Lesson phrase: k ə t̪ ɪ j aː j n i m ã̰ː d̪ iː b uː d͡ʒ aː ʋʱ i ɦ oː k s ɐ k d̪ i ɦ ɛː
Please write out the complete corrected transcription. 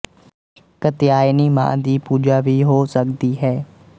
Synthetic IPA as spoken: k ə t̪ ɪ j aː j n i m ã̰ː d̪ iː p uː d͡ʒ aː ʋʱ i ɦ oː s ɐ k d̪ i ɦ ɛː